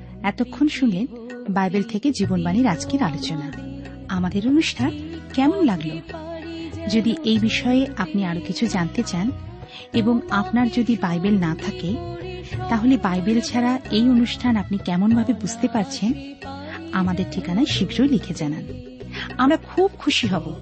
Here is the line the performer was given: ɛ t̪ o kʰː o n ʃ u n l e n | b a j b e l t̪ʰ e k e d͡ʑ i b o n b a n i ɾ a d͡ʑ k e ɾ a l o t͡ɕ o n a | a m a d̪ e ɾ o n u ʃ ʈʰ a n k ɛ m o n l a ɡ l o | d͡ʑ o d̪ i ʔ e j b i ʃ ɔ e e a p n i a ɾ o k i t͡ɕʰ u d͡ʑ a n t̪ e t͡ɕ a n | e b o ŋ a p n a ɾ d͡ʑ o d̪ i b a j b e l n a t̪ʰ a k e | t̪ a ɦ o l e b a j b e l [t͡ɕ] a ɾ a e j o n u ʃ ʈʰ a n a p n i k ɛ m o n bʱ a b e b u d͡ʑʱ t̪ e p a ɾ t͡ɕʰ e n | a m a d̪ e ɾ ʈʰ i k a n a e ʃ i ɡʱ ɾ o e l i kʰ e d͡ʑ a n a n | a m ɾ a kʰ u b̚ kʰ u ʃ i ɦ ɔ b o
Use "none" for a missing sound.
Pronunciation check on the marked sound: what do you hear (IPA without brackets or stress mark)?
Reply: t͡ɕʰ